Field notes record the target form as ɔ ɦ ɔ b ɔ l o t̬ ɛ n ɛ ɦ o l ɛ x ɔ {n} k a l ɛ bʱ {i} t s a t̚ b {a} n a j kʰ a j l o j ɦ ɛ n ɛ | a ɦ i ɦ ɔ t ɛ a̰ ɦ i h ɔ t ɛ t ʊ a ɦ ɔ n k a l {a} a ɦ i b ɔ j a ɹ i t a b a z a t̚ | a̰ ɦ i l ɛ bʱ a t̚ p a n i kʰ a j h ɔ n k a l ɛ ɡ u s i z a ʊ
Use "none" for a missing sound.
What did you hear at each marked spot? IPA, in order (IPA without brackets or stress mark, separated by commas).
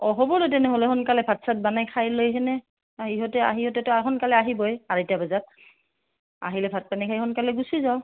n, a, a, ɛ